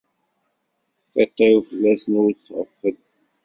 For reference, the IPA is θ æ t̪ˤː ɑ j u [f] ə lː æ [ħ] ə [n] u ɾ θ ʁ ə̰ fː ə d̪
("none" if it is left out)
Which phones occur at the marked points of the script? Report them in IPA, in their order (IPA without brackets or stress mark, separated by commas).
f, s, n